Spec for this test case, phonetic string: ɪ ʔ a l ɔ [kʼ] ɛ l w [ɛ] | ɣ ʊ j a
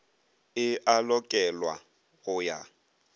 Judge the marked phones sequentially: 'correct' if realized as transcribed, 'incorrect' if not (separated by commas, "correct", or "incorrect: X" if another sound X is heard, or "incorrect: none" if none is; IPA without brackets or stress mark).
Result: correct, incorrect: a